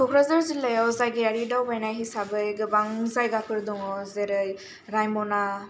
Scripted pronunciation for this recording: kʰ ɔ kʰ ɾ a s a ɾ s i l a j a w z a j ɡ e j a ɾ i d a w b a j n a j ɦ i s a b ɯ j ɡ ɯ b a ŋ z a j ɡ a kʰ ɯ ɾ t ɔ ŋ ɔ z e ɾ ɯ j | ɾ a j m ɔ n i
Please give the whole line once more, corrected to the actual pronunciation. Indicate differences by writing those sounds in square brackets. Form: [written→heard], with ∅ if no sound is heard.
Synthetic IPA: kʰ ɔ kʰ ɾ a [s→z] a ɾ [s→z] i l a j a w z a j ɡ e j a ɾ i d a w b a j n a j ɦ i s a b ɯ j ɡ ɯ b a ŋ z a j ɡ a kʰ ɯ ɾ [t→d] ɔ ŋ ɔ z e ɾ ɯ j | ɾ a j m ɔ n [i→a]